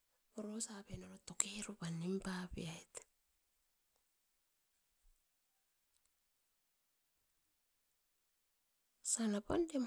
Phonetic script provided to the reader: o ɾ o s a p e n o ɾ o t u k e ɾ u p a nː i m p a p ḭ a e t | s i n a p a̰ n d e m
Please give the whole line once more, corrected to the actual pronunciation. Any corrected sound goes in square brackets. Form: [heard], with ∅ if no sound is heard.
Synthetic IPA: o ɾ o s a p e n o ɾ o t [o] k e ɾ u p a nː i m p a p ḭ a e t | s [a] n a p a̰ n d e m